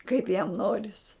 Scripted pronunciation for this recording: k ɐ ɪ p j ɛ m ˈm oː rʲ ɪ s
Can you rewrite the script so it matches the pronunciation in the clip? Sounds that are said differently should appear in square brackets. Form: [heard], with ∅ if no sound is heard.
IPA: k ɐ ɪ p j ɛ m [ˈn] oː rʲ ɪ s

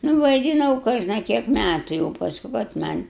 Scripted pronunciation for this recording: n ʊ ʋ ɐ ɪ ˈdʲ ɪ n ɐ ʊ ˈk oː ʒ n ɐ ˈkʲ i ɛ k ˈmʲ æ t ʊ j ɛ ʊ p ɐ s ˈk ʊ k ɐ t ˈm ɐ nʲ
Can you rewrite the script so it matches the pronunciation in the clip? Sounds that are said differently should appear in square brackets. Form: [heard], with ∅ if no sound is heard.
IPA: n ʊ ʋ ɐ ɪ ˈdʲ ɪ n ɐ ʊ ˈk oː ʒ n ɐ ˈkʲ i ɛ k ˈmʲ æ t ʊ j ɛ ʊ p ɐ s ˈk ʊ k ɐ t ˈm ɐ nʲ

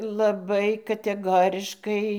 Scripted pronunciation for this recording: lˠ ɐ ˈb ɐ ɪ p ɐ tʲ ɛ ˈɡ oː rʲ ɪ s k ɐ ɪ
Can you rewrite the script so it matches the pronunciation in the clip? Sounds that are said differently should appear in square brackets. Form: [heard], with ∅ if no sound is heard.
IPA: lˠ ɐ ˈb ɐ ɪ [k] ɐ tʲ ɛ ˈɡ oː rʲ ɪ [ʃ] k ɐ ɪ

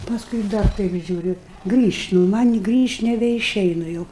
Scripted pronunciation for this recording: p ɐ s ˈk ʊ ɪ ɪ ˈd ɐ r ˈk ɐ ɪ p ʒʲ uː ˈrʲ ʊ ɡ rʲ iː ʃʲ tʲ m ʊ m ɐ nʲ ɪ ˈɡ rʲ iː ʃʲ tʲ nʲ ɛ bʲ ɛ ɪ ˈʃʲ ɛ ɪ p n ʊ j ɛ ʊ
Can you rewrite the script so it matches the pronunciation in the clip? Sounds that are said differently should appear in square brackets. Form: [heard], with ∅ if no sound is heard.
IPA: p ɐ s ˈk ʊ ɪ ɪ ˈd ɐ r [ˈt] ɐ ɪ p ʒʲ uː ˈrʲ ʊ ɡ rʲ iː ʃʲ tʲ [n] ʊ m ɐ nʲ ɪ ˈɡ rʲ iː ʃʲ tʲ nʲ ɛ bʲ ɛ ɪ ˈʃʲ ɛ ɪ [∅] n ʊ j ɛ ʊ

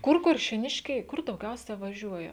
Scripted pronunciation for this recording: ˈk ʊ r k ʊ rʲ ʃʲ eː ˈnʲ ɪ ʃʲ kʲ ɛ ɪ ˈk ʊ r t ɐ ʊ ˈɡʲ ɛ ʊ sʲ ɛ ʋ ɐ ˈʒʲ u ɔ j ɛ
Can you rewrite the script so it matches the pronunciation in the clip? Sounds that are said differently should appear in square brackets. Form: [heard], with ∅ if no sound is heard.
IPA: ˈk ʊ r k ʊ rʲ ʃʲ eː ˈnʲ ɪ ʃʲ kʲ ɛ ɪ ˈk ʊ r [d] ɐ ʊ ˈɡʲ ɛ ʊ sʲ ɛ ʋ ɐ ˈʒʲ u ɔ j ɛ

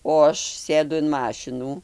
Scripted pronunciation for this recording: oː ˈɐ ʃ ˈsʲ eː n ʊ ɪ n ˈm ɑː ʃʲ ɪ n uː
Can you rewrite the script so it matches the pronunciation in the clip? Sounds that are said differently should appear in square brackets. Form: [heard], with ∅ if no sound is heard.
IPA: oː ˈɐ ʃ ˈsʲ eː [d] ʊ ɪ n ˈm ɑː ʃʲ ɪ n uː

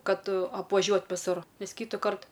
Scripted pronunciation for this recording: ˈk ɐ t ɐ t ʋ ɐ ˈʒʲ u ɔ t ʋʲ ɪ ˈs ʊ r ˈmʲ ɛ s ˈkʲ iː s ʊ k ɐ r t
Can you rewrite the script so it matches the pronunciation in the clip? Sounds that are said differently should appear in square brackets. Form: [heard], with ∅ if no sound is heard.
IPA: ˈk ɐ t ɐ [p] ʋ ɐ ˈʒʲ u ɔ t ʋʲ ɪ ˈs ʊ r [ˈnʲ] ɛ s ˈkʲ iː [t] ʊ k ɐ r t

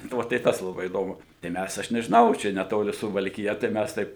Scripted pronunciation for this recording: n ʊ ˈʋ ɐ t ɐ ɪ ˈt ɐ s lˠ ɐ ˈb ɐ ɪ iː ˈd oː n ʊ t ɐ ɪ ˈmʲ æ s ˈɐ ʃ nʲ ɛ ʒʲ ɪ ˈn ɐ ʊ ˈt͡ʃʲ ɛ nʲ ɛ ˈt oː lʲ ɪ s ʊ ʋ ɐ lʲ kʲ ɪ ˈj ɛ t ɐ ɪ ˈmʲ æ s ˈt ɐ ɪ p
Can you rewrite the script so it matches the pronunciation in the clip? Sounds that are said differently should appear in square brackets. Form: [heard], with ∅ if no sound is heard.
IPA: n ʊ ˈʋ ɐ t ɐ ɪ ˈt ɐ s lˠ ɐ ˈb ɐ ɪ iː ˈd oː [m] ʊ t ɐ ɪ ˈmʲ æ s ˈɐ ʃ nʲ ɛ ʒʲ ɪ ˈn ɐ ʊ ˈt͡ʃʲ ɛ nʲ ɛ ˈt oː lʲ ɪ s ʊ ʋ ɐ lʲ kʲ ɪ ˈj ɛ t ɐ ɪ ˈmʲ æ s ˈt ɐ ɪ p

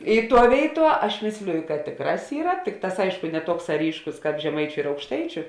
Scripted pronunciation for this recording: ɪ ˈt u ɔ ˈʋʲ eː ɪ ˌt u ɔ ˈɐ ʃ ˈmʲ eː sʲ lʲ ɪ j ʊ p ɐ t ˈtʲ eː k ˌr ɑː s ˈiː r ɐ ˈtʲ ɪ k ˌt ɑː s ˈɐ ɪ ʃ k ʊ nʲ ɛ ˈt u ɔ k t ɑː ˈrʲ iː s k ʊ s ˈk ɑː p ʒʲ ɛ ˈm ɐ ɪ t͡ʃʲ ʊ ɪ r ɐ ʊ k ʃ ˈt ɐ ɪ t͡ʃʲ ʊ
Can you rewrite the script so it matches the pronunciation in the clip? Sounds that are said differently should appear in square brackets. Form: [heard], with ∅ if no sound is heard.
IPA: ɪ ˈt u ɔ ˈʋʲ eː ɪ ˌt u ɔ ˈɐ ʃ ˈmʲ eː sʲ lʲ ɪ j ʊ [k] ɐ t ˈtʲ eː k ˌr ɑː s ˈiː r ɐ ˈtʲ ɪ k ˌt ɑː s ˈɐ ɪ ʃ k ʊ nʲ ɛ ˈt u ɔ k [s] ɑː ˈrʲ iː [ʃ] k ʊ s ˈk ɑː p ʒʲ ɛ ˈm ɐ ɪ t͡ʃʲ ʊ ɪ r ɐ ʊ k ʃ ˈt ɐ ɪ t͡ʃʲ ʊ

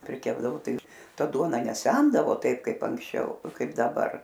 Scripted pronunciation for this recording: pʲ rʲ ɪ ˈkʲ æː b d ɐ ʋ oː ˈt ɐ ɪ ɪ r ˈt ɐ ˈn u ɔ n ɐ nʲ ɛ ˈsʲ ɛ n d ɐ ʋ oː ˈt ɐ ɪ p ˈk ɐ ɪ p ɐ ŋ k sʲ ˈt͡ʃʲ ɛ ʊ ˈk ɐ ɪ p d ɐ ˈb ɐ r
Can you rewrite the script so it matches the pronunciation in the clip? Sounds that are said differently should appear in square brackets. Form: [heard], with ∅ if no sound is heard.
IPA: pʲ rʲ ɪ ˈkʲ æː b d ɐ ʋ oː ˈt ɐ ɪ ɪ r ˈt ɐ [ˈd] u ɔ n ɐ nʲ ɛ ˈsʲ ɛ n d ɐ ʋ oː ˈt ɐ ɪ p ˈk ɐ ɪ p ɐ ŋ k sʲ ˈt͡ʃʲ ɛ ʊ ˈk ɐ ɪ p d ɐ ˈb ɐ r

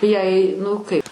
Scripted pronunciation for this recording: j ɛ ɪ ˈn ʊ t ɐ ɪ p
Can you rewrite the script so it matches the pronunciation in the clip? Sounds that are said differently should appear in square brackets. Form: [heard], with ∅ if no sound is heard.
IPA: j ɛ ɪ ˈn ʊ [k] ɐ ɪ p

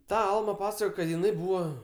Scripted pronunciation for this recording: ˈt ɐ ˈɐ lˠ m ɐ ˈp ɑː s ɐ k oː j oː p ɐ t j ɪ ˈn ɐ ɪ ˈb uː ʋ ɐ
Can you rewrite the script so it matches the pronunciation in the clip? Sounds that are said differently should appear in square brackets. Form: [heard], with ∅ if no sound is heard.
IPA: ˈt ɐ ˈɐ lˠ m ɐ ˈp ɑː s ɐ k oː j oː [k] ɐ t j ɪ ˈn ɐ ɪ ˈb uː ʋ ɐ

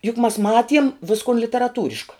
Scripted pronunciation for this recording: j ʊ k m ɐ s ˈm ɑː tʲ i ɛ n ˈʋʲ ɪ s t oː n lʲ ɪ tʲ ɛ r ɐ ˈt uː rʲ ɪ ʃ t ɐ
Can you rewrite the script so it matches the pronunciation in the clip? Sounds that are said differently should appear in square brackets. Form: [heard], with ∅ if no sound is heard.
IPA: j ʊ k m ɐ s ˈm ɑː tʲ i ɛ [m] ˈʋʲ ɪ s [k] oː n lʲ ɪ tʲ ɛ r ɐ ˈt uː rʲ ɪ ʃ [k] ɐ

